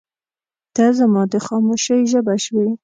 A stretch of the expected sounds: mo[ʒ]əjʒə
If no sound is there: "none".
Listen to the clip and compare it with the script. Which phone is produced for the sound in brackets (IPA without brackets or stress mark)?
ʃ